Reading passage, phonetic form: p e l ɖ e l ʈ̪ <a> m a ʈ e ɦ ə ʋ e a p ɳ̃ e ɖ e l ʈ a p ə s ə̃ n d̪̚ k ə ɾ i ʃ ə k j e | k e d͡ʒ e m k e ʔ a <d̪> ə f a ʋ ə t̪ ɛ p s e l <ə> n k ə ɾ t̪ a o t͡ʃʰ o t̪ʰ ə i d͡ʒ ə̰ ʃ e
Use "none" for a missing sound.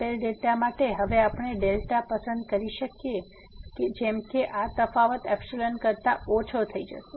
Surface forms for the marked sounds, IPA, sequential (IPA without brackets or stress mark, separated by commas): a, t̪, ə